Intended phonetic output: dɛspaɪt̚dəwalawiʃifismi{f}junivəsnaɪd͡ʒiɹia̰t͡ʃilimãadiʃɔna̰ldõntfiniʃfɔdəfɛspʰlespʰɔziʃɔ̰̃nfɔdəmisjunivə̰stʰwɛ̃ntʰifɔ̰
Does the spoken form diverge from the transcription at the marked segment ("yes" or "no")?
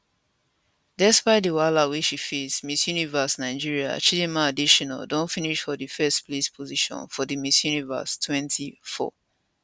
yes